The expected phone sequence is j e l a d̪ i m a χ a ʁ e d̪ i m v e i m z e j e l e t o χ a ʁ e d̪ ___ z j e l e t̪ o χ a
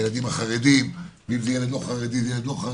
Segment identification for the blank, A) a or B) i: B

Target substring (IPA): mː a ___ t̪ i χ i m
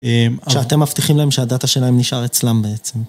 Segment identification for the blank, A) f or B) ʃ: A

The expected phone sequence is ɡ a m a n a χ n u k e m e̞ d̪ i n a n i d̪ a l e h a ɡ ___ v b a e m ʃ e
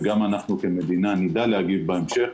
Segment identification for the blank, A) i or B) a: A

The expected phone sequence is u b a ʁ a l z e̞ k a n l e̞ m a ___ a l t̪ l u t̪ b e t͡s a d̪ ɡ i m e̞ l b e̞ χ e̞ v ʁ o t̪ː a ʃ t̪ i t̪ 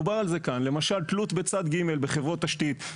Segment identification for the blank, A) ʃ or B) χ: A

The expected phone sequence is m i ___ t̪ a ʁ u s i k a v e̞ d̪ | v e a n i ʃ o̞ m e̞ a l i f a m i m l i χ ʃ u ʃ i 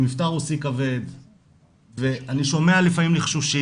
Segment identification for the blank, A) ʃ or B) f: B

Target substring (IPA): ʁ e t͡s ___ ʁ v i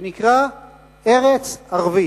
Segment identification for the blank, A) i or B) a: B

